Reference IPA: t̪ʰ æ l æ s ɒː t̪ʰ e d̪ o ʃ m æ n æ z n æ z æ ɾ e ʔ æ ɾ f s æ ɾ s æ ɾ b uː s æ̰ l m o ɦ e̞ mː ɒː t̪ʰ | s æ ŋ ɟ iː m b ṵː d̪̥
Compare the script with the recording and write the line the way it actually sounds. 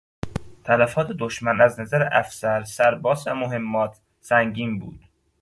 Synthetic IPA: t̪ʰ æ l æ f ɒː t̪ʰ e d̪ o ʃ m æ n æ z n æ z æ ɾ e ʔ æ f s æ ɾ s æ ɾ b ɒː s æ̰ m o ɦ e̞ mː ɒː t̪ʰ | s æ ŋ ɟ iː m b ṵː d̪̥